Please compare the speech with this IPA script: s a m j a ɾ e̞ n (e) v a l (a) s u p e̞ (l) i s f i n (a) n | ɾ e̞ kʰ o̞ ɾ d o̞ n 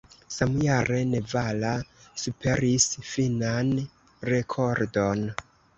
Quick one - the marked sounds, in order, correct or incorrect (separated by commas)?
correct, correct, incorrect, correct